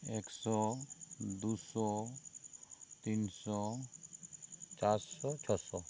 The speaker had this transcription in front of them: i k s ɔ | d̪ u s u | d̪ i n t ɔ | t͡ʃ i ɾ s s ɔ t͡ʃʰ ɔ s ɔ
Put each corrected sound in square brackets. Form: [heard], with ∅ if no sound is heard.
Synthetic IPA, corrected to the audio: [e] k s ɔ | d̪ u s [ɔ] | [t̪] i n [s] ɔ | t͡ʃ [a] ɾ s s ɔ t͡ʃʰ ɔ s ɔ